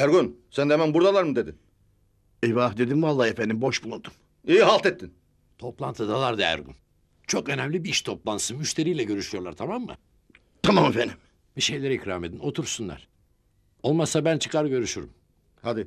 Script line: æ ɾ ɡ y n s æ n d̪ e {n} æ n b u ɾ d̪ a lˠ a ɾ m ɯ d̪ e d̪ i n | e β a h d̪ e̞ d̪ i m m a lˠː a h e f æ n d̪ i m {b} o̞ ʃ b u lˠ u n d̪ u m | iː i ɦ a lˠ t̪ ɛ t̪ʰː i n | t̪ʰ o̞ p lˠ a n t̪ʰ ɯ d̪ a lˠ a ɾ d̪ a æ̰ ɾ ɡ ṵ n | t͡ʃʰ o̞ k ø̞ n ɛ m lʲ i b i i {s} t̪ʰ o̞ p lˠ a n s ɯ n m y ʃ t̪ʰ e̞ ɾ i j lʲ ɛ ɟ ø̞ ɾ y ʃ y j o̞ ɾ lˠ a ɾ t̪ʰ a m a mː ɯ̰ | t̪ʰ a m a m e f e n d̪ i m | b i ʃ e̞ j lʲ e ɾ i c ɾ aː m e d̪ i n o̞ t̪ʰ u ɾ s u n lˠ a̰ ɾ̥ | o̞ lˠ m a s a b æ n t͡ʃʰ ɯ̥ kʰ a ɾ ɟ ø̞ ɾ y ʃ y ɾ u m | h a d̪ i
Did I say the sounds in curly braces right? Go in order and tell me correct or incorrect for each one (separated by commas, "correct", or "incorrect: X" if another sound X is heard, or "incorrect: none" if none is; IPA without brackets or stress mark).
incorrect: m, correct, incorrect: ʃ